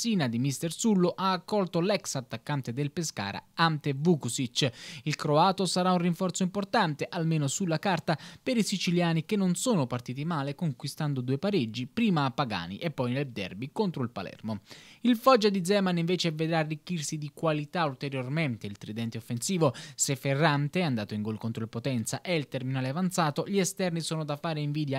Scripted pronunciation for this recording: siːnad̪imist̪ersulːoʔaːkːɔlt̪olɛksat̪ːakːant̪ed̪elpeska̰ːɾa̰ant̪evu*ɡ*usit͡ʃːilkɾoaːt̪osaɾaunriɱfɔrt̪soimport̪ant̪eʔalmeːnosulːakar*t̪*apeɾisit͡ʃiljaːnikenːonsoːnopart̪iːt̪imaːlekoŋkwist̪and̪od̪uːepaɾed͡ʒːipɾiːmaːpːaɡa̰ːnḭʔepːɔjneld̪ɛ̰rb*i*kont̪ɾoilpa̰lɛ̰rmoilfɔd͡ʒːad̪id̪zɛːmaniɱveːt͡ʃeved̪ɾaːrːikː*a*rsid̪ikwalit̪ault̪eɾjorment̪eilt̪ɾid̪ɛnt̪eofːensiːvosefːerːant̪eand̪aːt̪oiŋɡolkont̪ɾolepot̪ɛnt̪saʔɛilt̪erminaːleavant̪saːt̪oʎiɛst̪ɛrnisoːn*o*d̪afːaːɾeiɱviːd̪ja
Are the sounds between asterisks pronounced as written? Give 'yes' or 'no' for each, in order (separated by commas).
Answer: no, yes, yes, no, yes